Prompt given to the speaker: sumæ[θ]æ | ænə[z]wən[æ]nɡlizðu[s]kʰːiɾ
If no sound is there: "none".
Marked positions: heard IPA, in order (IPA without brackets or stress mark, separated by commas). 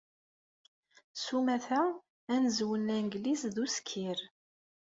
θ, z, æ, s